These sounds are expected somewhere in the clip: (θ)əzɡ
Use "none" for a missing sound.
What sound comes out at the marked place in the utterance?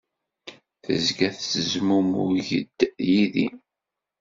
θ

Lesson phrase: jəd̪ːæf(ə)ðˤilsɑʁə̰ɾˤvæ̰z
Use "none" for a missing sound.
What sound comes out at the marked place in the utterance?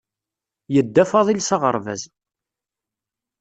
ɑ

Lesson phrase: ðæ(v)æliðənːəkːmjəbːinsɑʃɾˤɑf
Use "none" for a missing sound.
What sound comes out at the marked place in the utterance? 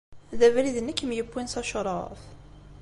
v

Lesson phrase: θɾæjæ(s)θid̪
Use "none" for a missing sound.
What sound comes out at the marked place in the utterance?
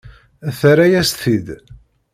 s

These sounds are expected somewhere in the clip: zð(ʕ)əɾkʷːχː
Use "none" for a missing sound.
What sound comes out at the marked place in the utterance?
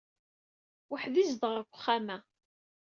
ʁ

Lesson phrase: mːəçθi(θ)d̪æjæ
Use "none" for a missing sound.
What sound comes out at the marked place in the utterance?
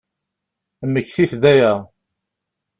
θ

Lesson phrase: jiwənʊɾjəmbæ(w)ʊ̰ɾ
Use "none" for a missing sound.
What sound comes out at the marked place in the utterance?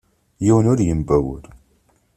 w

